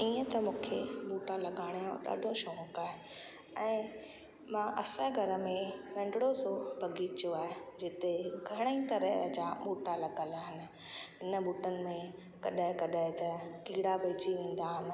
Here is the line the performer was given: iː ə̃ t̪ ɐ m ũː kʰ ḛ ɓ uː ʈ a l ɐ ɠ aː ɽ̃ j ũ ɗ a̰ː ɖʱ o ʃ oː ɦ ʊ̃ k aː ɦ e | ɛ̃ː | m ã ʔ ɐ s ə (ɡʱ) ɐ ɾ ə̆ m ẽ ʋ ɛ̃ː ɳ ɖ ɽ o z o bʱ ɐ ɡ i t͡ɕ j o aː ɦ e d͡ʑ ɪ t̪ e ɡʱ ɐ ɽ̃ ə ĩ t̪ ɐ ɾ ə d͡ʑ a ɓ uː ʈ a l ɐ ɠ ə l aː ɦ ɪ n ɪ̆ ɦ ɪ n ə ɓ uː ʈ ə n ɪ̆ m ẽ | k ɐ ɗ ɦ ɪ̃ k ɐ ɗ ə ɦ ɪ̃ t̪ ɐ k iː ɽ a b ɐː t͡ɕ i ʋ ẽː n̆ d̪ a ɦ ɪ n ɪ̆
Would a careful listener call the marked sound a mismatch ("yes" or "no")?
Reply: no